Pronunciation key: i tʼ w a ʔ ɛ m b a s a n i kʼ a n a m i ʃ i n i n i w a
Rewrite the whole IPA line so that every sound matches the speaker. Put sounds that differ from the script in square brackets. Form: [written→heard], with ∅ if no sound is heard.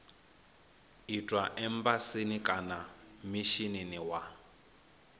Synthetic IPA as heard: i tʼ w a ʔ ɛ m b a s [a→i] n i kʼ a n a m i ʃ i n i n i w a